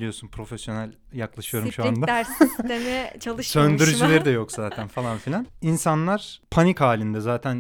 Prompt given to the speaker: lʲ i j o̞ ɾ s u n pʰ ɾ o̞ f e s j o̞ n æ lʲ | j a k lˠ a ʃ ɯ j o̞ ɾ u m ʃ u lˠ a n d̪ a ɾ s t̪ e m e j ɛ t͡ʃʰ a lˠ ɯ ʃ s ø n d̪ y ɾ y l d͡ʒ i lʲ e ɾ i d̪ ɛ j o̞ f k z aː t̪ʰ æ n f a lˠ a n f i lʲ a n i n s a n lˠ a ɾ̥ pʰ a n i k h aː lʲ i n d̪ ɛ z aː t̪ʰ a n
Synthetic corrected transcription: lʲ i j o̞ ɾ s u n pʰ ɾ o̞ f e s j o̞ n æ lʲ | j a k lˠ a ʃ ɯ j o̞ ɾ u m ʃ u a n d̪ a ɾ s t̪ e m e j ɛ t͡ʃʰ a lˠ ɯ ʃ s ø n d̪ y ɾ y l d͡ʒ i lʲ e ɾ i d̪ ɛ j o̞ k z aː t̪ʰ æ n f a lˠ a n f i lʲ a n i n s a n lˠ a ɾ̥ pʰ a n i k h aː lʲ i n d̪ ɛ z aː t̪ʰ æ n